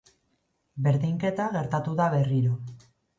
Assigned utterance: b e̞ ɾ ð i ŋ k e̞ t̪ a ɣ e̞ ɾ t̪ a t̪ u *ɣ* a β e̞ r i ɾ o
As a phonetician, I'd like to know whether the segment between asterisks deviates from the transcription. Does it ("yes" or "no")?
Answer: yes